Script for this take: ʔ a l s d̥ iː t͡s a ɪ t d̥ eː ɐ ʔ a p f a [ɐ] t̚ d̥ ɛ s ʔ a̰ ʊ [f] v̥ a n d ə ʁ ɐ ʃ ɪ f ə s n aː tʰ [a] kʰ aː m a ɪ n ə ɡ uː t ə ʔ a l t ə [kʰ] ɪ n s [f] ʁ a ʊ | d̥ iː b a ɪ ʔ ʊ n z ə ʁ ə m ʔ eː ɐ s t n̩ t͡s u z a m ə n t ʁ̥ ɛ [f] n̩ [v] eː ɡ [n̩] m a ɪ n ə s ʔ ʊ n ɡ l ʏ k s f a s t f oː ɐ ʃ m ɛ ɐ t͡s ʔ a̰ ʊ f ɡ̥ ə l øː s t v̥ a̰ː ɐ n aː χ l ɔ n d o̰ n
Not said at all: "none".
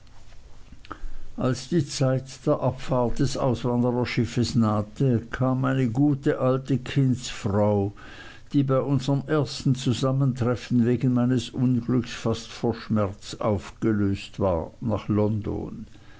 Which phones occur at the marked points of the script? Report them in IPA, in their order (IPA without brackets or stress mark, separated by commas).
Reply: ɐ, s, ə, kʰ, f, f, v, n̩